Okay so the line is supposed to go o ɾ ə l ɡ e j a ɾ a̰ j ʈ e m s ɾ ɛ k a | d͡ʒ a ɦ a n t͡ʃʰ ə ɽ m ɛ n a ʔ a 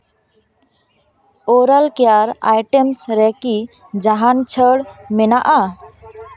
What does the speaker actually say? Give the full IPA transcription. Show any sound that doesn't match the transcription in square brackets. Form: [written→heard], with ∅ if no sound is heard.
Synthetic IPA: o ɾ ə l [ɡ→k] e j a ɾ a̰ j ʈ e m s ɾ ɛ k [a→i] | d͡ʒ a ɦ a n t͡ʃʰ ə ɽ m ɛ n a ʔ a